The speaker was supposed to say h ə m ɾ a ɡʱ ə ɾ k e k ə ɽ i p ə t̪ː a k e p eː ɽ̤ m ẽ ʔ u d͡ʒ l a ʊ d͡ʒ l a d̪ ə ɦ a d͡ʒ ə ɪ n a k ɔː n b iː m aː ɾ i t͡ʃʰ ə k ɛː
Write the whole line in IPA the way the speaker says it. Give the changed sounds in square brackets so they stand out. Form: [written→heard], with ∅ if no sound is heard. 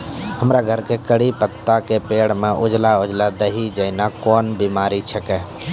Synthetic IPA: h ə m ɾ a ɡʱ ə ɾ k e k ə ɽ i p ə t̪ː a k e p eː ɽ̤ m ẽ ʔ [u→ʊ] d͡ʒ l a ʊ d͡ʒ l a d̪ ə ɦ [a→i] d͡ʒ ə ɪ n a k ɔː n b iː m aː ɾ i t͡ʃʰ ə k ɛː